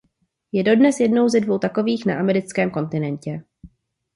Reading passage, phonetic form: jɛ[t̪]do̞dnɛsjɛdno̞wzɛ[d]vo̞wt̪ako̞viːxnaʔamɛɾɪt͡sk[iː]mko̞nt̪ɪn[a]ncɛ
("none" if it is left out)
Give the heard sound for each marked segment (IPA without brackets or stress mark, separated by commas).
none, d, ɛː, ɛ